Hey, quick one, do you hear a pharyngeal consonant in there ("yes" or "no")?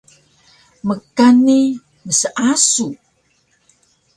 no